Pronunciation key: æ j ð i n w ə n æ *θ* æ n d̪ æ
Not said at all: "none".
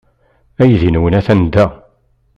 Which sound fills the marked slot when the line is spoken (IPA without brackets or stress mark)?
θ